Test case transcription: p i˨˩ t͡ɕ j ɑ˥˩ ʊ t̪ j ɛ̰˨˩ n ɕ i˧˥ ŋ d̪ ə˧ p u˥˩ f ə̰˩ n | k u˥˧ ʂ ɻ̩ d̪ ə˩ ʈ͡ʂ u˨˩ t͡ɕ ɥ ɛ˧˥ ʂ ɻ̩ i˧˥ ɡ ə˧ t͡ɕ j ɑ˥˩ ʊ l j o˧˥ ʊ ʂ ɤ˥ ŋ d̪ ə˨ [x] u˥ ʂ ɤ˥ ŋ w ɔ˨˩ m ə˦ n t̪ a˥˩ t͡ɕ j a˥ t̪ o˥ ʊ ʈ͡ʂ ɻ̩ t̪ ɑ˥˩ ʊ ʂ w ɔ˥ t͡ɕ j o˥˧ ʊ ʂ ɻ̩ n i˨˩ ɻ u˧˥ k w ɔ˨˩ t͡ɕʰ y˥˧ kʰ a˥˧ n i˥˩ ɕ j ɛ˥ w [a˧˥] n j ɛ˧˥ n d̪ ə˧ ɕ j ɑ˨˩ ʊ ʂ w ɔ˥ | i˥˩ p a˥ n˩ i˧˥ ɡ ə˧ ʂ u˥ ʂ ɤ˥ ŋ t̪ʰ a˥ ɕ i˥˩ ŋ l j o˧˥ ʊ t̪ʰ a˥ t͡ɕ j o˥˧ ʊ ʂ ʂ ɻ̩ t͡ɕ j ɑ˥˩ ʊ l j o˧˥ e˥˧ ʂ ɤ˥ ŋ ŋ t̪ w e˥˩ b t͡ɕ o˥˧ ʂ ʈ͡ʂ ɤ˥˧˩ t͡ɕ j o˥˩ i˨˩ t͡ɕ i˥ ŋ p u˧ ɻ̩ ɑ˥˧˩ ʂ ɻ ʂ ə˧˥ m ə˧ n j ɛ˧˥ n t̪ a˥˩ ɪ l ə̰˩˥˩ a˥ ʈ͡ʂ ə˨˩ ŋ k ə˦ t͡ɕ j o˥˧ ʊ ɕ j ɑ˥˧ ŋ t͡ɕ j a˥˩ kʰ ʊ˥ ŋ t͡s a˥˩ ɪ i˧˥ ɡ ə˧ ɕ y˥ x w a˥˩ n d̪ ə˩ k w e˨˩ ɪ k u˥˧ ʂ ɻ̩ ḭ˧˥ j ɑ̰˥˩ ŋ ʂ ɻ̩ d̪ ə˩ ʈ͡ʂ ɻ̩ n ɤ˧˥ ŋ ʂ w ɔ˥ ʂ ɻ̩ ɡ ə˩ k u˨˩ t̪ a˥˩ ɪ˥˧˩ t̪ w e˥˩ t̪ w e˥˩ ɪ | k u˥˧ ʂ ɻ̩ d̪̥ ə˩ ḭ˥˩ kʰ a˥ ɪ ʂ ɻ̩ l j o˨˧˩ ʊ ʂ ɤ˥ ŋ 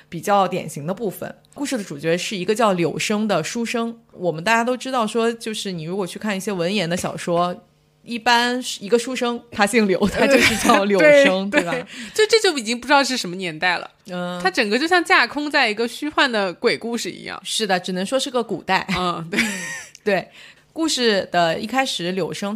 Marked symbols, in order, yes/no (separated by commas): no, no